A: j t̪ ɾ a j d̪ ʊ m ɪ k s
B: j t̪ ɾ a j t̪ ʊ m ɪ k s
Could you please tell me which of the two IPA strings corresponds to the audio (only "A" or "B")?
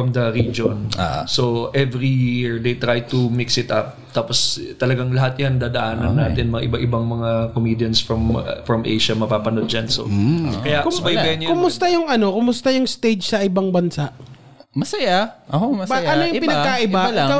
B